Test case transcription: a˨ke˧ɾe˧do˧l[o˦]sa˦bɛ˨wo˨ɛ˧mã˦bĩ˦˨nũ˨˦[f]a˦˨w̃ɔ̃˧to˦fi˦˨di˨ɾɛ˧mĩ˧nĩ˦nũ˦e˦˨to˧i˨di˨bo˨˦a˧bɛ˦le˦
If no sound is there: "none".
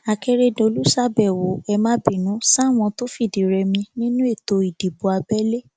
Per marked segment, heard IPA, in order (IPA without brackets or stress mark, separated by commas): u˦, s